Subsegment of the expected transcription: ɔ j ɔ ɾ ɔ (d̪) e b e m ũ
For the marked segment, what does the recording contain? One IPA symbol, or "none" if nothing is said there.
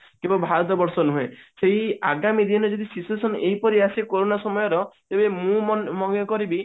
t̪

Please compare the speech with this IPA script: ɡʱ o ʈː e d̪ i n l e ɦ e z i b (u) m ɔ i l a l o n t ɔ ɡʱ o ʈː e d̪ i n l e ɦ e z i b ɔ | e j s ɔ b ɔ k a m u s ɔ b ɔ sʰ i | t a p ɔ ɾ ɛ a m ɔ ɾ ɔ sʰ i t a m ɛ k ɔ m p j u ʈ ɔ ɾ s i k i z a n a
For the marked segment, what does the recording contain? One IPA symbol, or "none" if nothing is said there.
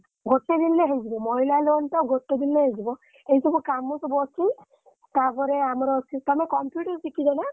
ɔ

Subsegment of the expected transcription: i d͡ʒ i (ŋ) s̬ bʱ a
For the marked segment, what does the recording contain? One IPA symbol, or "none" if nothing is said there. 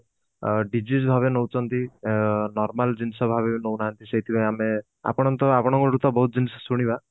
none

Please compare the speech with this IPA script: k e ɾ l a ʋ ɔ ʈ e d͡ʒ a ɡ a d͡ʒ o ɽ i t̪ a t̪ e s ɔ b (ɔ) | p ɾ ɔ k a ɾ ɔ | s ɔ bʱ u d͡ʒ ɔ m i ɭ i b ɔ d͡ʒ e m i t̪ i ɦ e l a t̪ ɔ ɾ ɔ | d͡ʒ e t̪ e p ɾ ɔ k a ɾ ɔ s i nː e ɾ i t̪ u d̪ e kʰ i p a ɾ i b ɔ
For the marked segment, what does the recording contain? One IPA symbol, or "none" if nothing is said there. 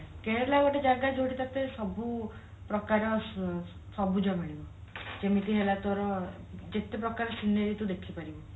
u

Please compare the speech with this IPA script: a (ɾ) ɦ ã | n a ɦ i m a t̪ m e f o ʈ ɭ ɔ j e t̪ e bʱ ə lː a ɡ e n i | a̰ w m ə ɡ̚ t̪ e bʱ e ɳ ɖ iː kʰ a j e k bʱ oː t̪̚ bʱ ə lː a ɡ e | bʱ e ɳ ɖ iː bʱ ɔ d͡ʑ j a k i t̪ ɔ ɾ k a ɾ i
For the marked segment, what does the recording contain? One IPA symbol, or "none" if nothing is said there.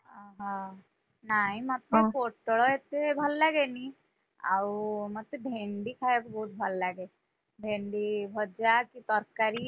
none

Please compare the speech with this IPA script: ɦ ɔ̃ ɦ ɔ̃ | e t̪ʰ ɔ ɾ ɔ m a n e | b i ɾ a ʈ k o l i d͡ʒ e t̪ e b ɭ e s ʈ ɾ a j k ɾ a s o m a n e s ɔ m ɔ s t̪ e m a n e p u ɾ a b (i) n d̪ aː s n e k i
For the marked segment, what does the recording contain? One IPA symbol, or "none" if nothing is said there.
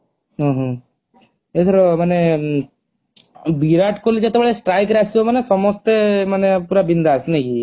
i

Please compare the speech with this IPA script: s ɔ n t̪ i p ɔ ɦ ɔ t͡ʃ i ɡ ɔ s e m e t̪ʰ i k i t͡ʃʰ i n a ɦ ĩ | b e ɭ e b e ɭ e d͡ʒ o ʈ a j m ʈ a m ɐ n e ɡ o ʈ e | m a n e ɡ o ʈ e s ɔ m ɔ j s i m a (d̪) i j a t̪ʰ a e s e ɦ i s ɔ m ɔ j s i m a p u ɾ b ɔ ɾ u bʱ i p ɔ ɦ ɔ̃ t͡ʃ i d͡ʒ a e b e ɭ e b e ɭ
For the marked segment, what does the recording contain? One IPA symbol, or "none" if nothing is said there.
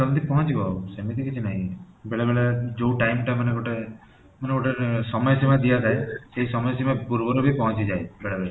d̪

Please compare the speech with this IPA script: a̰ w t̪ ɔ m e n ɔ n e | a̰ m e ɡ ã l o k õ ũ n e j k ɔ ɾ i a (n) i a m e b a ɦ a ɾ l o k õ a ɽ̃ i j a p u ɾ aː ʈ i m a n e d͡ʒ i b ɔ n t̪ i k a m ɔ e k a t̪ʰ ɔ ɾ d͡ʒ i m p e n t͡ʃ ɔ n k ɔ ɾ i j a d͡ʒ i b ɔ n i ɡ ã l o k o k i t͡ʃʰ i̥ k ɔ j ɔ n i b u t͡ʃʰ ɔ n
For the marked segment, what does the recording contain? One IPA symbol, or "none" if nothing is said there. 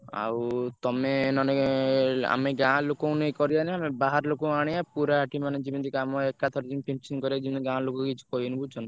n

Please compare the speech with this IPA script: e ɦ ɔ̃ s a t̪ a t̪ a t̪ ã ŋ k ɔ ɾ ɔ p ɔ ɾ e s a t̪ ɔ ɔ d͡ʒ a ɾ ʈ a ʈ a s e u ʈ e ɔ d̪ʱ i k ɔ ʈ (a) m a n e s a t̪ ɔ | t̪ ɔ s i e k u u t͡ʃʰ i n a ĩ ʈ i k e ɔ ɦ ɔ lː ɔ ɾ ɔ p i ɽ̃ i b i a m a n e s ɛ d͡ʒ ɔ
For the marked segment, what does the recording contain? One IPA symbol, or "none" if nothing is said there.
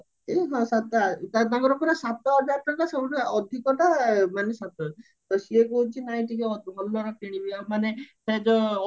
a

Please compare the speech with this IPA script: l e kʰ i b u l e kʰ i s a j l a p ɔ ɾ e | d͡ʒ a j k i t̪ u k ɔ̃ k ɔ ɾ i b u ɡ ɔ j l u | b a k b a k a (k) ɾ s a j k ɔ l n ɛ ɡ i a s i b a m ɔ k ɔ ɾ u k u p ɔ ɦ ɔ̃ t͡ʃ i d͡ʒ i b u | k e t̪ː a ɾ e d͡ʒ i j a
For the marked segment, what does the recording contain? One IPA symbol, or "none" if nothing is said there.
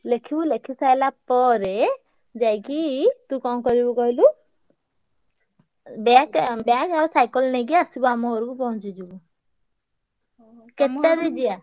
none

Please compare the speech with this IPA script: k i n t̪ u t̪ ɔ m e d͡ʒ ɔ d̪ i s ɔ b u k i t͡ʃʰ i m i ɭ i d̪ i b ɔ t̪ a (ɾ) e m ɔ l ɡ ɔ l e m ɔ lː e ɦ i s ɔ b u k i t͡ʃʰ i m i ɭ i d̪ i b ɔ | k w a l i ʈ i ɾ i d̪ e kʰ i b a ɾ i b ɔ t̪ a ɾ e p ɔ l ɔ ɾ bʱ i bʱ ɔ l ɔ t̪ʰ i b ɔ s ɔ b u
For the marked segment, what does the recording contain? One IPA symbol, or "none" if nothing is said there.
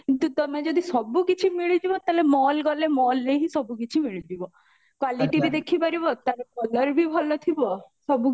l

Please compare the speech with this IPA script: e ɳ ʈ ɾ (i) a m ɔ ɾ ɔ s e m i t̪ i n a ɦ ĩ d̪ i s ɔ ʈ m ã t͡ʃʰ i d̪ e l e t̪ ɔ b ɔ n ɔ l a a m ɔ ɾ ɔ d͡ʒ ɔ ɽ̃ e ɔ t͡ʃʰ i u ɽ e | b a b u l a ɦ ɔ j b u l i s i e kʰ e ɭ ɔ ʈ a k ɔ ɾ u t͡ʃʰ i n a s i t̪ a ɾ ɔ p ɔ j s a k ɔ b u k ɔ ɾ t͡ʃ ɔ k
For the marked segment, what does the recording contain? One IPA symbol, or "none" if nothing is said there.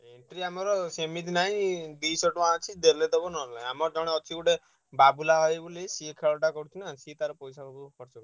i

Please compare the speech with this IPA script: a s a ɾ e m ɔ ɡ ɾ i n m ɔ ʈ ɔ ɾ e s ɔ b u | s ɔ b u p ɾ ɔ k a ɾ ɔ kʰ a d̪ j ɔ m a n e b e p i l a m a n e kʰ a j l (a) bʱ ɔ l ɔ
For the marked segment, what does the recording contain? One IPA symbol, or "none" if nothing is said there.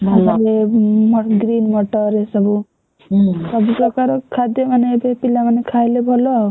e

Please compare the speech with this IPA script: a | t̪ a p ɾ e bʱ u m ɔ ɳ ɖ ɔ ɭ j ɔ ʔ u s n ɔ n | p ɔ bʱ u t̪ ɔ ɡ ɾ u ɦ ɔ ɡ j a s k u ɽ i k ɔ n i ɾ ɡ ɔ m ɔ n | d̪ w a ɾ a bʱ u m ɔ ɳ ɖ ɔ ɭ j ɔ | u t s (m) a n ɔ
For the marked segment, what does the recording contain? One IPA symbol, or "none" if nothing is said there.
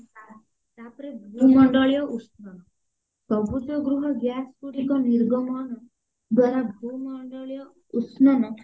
n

